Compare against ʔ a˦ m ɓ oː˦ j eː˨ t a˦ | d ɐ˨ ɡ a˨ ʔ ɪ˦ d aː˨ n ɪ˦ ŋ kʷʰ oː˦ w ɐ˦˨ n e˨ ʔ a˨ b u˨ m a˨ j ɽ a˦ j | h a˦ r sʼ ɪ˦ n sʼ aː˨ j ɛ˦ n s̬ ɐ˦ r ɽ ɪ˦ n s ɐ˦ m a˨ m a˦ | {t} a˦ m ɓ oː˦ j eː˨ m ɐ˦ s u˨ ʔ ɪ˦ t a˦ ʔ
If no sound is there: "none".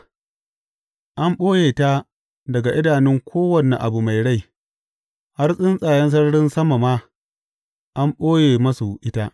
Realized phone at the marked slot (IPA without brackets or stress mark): ʔ